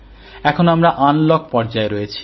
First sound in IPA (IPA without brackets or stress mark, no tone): ɛ